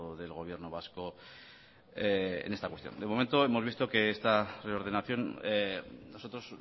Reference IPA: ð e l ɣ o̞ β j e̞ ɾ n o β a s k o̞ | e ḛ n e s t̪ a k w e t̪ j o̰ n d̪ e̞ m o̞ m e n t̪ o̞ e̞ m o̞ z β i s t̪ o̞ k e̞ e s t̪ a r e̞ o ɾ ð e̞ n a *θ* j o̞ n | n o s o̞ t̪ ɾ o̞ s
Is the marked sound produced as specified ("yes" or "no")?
yes